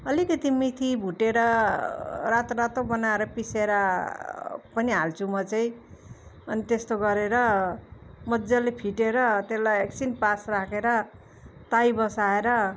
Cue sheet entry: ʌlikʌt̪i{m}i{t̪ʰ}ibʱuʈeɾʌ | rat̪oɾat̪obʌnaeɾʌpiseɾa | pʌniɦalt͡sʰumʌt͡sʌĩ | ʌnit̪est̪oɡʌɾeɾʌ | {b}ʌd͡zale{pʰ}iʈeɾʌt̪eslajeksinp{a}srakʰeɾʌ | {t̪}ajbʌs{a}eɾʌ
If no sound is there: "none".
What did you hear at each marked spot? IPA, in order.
m, t̪ʰ, m, pʰ, a, t̪, a

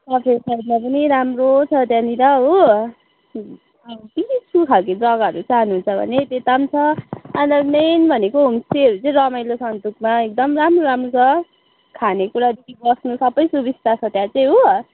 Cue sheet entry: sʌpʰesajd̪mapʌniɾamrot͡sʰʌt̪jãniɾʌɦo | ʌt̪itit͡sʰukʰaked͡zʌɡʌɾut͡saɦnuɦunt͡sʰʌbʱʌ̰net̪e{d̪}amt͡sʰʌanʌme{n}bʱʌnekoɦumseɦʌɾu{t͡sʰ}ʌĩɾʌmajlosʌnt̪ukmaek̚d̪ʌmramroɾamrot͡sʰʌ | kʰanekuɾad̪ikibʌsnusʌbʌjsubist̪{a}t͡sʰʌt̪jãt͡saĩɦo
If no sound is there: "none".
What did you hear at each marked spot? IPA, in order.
t̪, n, t͡s, a

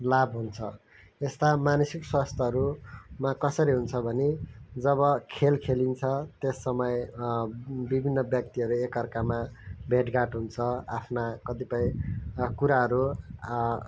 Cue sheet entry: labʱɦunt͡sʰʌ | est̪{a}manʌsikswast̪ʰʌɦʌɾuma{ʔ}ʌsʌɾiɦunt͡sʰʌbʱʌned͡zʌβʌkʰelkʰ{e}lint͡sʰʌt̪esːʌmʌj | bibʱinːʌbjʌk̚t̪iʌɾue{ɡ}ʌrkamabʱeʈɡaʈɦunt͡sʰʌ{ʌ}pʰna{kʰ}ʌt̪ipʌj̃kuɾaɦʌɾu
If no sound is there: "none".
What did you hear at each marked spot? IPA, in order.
a, k, e, k, a, k

